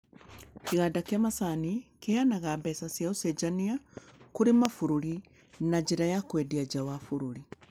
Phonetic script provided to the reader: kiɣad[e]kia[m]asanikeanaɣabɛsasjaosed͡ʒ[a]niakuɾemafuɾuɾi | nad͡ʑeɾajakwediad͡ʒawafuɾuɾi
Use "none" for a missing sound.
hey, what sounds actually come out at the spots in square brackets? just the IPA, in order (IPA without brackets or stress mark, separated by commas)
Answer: a, m, a